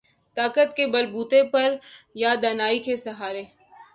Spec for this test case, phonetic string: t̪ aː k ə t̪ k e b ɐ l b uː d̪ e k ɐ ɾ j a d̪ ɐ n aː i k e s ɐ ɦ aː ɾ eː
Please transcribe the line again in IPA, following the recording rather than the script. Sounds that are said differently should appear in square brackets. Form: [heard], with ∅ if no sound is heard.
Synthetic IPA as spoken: t̪ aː k ə t̪ k e b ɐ l b uː [t̪] e [p] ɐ ɾ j a d̪ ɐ n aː i k e s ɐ ɦ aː ɾ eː